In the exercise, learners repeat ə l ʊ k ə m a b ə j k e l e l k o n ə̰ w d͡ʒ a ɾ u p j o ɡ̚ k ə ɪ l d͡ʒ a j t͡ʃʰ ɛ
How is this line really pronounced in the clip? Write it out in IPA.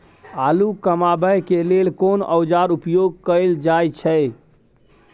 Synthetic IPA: a l u k ə m a b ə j k e l e l k o n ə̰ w d͡ʒ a ɾ u p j o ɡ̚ k ə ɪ l d͡ʒ a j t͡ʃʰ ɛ